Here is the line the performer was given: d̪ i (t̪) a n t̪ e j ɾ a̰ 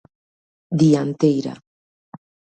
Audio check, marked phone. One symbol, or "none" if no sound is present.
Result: none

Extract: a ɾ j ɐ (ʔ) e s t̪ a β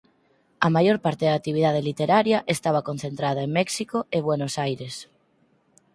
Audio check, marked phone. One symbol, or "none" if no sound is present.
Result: ʔ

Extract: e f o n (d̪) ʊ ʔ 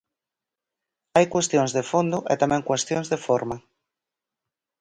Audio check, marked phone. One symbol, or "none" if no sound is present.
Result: d̪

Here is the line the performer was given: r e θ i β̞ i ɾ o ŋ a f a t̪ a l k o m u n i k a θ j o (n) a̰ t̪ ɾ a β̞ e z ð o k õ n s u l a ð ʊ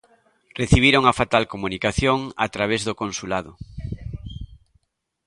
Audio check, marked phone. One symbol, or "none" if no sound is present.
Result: ŋ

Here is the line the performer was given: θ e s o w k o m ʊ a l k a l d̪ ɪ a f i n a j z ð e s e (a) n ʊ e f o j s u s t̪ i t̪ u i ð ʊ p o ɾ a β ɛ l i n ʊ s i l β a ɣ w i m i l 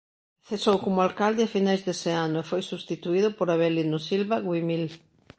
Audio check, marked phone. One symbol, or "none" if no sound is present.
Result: a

